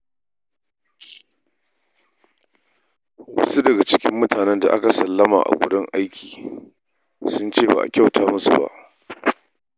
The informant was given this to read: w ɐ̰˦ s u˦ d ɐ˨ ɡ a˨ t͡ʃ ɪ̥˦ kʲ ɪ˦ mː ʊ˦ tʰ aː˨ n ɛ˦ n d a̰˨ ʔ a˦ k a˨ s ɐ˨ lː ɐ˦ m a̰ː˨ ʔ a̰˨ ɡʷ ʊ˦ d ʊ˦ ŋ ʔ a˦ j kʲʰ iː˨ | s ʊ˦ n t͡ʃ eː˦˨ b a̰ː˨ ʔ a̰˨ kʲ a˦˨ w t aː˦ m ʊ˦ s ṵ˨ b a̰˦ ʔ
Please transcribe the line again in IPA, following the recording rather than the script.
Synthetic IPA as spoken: w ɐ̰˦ s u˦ d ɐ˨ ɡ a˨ t͡ʃ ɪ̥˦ kʲ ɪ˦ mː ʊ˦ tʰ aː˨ n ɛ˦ n d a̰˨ ʔ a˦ k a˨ s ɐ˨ lː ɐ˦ m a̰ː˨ ʔ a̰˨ ɡʷ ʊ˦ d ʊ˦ ŋ ʔ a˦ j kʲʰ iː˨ | s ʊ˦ n t͡ʃ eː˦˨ b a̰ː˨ ʔ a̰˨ kʲ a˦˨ w t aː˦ m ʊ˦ s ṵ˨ b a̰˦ ʔ